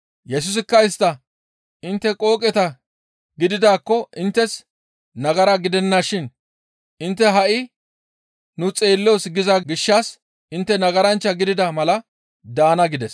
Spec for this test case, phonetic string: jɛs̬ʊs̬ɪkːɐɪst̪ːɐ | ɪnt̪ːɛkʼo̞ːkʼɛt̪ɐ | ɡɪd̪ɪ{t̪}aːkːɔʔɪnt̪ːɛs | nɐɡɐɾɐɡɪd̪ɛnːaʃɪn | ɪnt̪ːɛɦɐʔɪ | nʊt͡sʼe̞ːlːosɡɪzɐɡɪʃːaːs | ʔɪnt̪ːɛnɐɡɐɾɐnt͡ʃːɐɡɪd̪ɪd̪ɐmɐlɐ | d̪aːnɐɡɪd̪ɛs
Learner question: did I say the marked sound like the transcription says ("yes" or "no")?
no